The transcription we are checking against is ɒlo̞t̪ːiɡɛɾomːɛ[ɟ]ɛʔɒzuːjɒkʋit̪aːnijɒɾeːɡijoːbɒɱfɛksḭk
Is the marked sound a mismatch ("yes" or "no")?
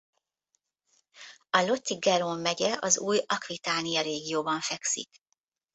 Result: no